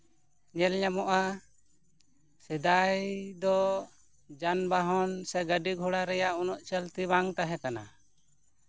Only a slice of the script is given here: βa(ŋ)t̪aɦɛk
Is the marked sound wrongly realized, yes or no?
no